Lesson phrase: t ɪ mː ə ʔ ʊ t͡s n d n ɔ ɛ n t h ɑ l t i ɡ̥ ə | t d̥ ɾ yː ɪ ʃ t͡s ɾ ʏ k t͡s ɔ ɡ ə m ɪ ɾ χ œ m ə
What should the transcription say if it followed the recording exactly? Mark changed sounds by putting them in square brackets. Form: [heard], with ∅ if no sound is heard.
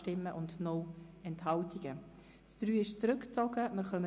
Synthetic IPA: t ɪ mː ə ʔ ʊ [∅] n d n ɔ ɛ n t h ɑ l t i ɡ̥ ə | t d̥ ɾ yː ɪ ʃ t͡s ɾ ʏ k t͡s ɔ ɡ ə m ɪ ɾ χ œ m ə